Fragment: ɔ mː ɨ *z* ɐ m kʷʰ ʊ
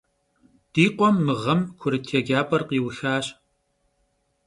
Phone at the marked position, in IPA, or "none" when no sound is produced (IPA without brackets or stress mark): ʁ